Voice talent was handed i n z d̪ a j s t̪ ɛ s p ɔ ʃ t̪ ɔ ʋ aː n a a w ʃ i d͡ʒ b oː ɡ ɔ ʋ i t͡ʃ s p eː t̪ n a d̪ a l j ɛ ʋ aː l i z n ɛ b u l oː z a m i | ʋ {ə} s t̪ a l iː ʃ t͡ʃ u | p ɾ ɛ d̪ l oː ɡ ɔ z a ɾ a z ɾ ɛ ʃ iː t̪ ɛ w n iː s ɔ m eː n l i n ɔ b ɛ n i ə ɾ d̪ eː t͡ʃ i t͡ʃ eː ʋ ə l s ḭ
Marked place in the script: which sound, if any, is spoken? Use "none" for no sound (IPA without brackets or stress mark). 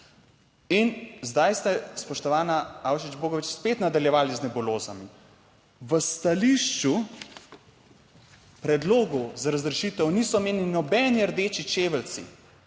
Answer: ə